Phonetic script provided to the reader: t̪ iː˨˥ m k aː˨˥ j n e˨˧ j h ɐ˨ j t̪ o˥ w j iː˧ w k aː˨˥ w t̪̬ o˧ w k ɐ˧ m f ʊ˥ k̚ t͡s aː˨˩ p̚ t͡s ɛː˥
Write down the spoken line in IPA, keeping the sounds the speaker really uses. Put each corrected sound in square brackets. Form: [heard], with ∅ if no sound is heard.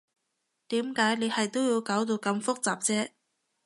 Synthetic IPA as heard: t̪ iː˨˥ m k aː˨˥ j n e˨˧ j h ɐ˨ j t̪ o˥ w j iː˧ w k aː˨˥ w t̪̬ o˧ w k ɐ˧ m f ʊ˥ k̚ t͡s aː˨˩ p̚ t͡s ɛː˥